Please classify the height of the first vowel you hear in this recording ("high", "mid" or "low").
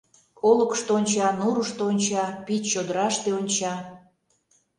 mid